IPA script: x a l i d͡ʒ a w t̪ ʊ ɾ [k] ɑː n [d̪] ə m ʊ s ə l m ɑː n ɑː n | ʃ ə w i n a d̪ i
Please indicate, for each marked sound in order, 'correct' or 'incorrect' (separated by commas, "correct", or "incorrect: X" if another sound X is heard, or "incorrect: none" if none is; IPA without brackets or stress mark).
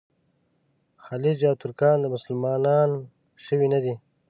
correct, correct